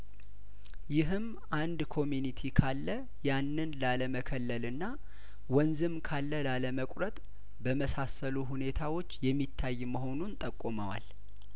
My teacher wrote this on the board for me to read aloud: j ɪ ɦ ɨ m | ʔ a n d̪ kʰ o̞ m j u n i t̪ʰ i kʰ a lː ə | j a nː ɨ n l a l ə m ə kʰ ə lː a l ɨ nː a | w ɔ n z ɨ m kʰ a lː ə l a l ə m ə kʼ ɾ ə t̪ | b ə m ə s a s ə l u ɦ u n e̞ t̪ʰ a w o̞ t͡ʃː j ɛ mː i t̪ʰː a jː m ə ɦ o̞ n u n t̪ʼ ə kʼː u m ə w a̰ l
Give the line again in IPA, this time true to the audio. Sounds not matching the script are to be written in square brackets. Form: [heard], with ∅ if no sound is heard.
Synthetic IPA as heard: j ɪ ɦ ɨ m | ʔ a n d̪ kʰ o̞ m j u n i t̪ʰ i kʰ a lː ə | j a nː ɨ n l a l ə m ə kʰ ə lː [ə] l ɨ nː a | w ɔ n z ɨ m kʰ a lː ə l a l ə m ə kʼ ɾ ə [t̪ʼ] | b ə m ə s a s ə l u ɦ u n e̞ t̪ʰ a w o̞ t͡ʃː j ɛ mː i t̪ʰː a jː m ə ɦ o̞ n u n t̪ʼ ə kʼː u m ə w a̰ l

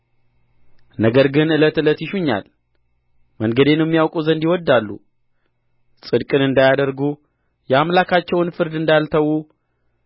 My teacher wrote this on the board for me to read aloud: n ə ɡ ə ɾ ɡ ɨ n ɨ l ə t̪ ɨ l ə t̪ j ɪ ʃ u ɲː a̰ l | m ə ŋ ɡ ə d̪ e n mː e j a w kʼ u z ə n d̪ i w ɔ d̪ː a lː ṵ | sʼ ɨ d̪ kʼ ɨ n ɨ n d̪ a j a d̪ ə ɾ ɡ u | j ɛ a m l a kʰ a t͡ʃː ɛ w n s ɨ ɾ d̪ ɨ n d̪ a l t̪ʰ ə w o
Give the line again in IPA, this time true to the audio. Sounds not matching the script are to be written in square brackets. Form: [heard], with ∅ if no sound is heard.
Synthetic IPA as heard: n ə ɡ ə ɾ ɡ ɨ n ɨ l ə t̪ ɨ l ə t̪ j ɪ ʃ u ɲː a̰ l | m ə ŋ ɡ ə d̪ e n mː [i] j a w kʼ u z ə n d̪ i w ɔ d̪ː a lː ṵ | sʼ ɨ d̪ kʼ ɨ n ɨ n d̪ a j a d̪ ə ɾ ɡ u | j ɛ a m l a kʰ a t͡ʃː ɛ w n [f] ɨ ɾ d̪ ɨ n d̪ a l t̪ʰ ə w [u]

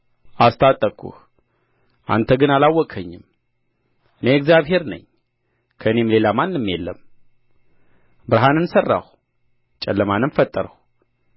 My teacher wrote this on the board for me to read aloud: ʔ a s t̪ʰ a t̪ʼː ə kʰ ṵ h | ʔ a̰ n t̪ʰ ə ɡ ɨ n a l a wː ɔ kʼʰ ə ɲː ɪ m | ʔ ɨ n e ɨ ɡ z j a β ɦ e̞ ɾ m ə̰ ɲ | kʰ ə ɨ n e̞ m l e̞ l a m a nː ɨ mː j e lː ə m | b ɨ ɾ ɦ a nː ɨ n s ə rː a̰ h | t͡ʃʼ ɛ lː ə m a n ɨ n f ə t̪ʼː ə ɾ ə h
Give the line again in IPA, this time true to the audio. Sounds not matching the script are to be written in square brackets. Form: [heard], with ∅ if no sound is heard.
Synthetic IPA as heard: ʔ a s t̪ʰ a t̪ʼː ə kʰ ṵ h | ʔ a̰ n t̪ʰ ə ɡ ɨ n a l a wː ɔ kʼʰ ə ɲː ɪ m | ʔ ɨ n e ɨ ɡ z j a β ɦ e̞ ɾ [n] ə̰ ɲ | kʰ ə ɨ n e̞ m l e̞ l a m a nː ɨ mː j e lː ə m | b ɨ ɾ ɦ a [n] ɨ n s ə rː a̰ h | t͡ʃʼ ɛ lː ə m a n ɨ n f ə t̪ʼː ə ɾ ə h

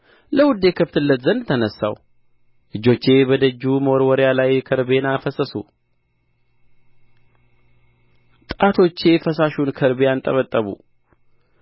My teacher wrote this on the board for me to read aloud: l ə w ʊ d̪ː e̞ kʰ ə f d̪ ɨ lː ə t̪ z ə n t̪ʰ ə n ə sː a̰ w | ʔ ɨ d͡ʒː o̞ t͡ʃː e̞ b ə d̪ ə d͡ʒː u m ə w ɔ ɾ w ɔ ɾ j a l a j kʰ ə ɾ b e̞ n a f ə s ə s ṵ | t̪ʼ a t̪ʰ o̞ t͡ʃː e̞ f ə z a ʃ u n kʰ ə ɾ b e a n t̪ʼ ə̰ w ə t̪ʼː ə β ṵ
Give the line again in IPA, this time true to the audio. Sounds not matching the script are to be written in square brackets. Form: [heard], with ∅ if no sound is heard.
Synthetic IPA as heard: l ə w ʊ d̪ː e̞ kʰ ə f [t̪] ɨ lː ə t̪ z ə n t̪ʰ ə n ə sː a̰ w | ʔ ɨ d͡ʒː o̞ t͡ʃː e̞ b ə d̪ ə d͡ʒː u m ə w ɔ ɾ w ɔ ɾ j a l a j kʰ ə ɾ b e̞ n a f ə s ə s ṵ | t̪ʼ a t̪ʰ o̞ t͡ʃː e̞ f ə [s] a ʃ u n kʰ ə ɾ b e a n t̪ʼ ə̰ [β] ə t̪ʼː ə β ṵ

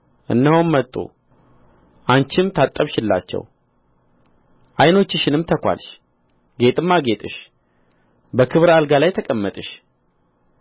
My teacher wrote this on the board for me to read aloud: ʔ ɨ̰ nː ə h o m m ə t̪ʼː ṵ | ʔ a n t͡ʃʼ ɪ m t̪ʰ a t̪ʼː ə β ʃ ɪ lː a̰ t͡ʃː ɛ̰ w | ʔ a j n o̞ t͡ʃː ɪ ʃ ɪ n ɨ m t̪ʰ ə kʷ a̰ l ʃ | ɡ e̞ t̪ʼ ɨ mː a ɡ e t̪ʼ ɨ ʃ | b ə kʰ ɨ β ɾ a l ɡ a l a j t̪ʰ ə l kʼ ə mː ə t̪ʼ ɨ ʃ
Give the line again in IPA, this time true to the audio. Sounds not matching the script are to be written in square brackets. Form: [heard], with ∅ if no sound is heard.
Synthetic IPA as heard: ʔ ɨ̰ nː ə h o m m ə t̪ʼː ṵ | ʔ a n [t͡ʃ] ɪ m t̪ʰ a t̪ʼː ə β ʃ ɪ lː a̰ t͡ʃː ɛ̰ w | ʔ a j n o̞ t͡ʃː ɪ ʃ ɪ n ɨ m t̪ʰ ə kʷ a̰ l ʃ | ɡ e̞ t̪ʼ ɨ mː a ɡ e t̪ʼ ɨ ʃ | b ə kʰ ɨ β ɾ a l ɡ a l a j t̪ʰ ə [∅] kʼ ə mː ə t̪ʼ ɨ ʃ

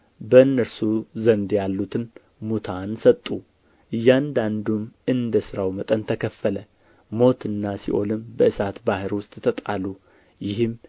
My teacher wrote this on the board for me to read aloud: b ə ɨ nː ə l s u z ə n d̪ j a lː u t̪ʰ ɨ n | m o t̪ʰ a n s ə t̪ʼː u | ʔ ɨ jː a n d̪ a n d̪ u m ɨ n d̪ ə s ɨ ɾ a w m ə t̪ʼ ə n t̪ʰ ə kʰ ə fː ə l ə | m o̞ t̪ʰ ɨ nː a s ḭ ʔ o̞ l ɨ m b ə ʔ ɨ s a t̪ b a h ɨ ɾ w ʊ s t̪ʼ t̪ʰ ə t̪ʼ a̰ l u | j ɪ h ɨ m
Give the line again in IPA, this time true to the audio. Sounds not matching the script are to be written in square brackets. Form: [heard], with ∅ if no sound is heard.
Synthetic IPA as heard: b ə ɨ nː ə [ɾ] s u z ə n d̪ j a lː u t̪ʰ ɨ n | m [u] t̪ʰ a n s ə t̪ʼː u | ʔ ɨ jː a n d̪ a n d̪ u m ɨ n d̪ ə s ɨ ɾ a w m ə t̪ʼ ə n t̪ʰ ə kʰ ə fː ə l ə | m o̞ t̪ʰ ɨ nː a s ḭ ʔ o̞ l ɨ m b ə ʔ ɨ s a t̪ b a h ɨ ɾ w ʊ s t̪ʼ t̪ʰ ə t̪ʼ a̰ l u | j ɪ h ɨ m

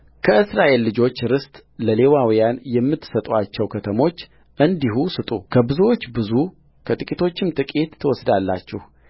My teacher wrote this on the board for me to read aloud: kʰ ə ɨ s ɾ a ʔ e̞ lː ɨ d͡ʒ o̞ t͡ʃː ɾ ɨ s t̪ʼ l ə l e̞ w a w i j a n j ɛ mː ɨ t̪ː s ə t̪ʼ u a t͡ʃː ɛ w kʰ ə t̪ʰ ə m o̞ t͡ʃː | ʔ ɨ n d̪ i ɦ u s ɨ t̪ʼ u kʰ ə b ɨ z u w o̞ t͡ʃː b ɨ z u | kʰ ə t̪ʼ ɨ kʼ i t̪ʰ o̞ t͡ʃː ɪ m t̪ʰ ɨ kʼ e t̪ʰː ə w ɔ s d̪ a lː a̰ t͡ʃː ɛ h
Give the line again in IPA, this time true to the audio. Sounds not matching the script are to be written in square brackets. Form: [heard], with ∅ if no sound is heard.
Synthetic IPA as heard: kʰ ə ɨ s ɾ a ʔ e̞ lː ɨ d͡ʒ o̞ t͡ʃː ɾ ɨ s t̪ʼ l ə l e̞ w a w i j a n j ɛ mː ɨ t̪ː s ə t̪ʼ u a t͡ʃː ɛ w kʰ ə t̪ʰ ə m o̞ t͡ʃː | ʔ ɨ n d̪ i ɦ u s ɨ t̪ʼ u kʰ ə b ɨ z u w o̞ t͡ʃː b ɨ z u | kʰ ə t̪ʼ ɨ kʼ i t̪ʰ o̞ t͡ʃː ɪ m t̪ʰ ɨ kʼ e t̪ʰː ə w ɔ s d̪ a lː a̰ t͡ʃː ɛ h

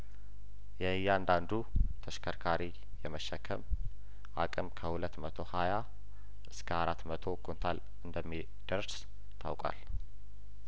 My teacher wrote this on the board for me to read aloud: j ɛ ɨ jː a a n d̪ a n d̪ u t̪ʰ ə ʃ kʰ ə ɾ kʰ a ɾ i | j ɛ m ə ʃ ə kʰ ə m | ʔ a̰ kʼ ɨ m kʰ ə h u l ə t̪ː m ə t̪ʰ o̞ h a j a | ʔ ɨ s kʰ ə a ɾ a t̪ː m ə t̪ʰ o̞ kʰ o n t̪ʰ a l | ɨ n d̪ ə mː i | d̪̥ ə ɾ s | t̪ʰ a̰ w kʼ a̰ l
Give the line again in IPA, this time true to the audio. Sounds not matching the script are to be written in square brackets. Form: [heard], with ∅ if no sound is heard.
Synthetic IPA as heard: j ɛ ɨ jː a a n d̪ a n d̪ u t̪ʰ ə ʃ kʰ ə ɾ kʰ a ɾ i | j ɛ m ə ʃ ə kʰ ə m | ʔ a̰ kʼ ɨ m kʰ ə h u l ə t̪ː m ə t̪ʰ o̞ h a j a | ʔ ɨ s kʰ ə a ɾ a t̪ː m ə t̪ʰ o̞ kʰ o n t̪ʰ a l | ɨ n d̪ ə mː i | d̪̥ ə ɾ s | t̪ʰ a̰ w kʼ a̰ l

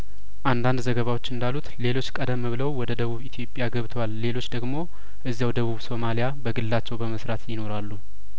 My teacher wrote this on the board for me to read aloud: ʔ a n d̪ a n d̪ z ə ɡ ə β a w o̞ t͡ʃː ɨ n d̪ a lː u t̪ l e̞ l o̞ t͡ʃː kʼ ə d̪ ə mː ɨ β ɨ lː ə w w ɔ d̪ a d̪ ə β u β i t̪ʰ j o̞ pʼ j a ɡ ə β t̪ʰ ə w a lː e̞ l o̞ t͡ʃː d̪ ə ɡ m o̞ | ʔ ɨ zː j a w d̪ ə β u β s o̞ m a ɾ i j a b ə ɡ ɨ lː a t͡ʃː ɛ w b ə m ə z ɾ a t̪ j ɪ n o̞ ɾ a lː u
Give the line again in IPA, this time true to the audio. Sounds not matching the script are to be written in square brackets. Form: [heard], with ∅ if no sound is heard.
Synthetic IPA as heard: ʔ a n d̪ a n d̪ z ə ɡ ə β a w o̞ t͡ʃː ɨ n d̪ a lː u t̪ l e̞ l o̞ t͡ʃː kʼ ə d̪ ə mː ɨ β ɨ [l] ə w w ɔ d̪ [ə] d̪ ə β u β i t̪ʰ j o̞ pʼ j a ɡ ə β t̪ʰ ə w a lː e̞ l o̞ t͡ʃː d̪ ə ɡ m o̞ | ʔ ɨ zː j a w d̪ ə β u β s o̞ m a [l] i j a b ə ɡ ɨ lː a t͡ʃː ɛ w b ə m ə [s] ɾ a t̪ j ɪ n o̞ ɾ a lː u

